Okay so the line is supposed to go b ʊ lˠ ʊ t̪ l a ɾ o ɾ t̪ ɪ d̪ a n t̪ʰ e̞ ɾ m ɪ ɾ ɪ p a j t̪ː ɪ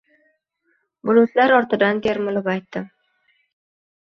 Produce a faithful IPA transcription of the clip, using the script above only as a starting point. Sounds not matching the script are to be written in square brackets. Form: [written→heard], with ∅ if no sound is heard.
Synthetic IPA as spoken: b ʊ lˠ ʊ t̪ l a ɾ [o→ɒ] ɾ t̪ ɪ d̪ a n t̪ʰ e̞ ɾ m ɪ [ɾ→l] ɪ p a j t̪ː ɪ